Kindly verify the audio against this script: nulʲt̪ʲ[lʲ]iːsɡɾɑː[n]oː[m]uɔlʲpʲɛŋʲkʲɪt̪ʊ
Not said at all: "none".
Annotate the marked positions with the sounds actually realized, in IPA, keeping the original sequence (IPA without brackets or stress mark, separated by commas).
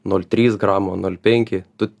ɾʲ, m, n